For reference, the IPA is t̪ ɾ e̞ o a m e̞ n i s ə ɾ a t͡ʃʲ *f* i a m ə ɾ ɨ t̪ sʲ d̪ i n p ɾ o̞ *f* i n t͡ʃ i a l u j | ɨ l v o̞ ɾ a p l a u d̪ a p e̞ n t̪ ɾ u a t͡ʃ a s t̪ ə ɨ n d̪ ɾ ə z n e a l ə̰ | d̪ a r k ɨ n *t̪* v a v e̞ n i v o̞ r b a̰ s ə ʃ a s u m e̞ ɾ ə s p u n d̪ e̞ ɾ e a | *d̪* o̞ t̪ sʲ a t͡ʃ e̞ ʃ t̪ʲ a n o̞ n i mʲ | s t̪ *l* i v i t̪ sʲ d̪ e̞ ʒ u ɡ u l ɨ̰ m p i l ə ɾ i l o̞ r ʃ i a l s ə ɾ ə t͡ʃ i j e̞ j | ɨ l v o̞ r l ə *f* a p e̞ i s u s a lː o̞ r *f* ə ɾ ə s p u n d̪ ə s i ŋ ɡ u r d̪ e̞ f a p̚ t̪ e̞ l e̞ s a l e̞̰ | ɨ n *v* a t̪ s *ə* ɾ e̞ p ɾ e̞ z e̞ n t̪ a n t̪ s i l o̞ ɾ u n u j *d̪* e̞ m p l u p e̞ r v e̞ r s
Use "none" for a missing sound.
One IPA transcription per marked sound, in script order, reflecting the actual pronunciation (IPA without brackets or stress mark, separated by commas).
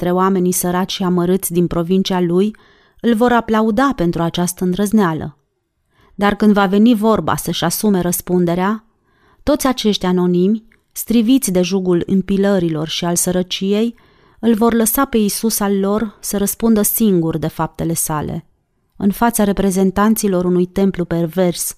ʃ, v, d̪, t̪, ɾ, s, s, f, a, t̪